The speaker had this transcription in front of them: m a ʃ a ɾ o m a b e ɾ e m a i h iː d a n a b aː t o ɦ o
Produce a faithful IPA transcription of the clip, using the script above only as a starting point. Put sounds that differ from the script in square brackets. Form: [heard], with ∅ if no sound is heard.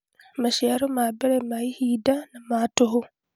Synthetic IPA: m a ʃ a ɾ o m a b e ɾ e m a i h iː d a n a [m] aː t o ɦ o